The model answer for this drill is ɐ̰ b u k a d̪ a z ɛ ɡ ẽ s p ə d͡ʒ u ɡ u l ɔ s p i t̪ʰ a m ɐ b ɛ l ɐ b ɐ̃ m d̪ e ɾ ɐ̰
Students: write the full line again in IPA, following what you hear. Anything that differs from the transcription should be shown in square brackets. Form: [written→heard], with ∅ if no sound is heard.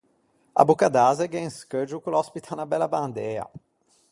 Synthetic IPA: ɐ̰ b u k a d̪ a z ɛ ɡ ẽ s [p→k] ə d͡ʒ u [ɡ→k] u l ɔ s p i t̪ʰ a [m→n] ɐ b ɛ l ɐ b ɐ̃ [m→n] d̪ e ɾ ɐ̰